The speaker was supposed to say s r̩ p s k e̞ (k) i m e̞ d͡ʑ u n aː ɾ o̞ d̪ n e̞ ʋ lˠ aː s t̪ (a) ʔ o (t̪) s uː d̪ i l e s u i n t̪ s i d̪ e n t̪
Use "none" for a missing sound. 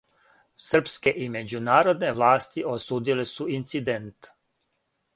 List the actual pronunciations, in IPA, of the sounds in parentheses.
ʔ, i, none

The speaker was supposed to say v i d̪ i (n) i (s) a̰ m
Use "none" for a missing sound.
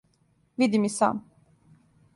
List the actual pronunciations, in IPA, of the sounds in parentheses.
m, s

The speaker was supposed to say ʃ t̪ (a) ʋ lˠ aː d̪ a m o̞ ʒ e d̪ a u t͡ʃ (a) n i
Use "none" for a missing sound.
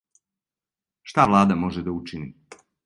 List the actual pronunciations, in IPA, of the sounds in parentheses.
a, i

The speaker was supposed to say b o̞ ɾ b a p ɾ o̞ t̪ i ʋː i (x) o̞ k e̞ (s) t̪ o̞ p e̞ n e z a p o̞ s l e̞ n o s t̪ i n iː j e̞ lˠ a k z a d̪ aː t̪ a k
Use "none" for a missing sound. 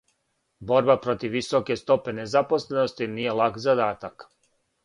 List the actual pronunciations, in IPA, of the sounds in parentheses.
s, s

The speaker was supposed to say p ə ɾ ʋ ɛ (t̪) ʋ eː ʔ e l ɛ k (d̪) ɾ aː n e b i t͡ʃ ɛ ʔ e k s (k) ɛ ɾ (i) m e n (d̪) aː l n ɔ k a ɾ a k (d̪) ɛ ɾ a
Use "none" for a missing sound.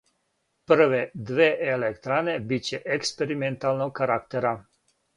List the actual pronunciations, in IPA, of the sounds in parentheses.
d̪, t̪, p, i, t̪, t̪

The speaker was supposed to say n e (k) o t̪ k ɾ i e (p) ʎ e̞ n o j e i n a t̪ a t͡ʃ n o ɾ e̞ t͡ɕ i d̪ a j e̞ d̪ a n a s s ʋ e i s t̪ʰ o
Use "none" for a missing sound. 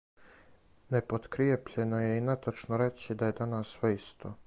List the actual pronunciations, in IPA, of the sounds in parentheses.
p, p

